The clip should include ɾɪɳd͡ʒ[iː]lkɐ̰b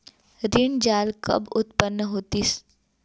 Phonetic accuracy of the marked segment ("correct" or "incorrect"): incorrect